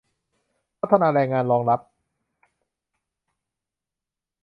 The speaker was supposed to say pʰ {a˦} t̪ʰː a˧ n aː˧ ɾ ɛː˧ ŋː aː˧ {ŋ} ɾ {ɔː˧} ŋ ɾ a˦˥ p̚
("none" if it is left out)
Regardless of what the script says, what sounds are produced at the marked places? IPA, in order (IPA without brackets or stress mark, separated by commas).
a˦, n, ɔː˧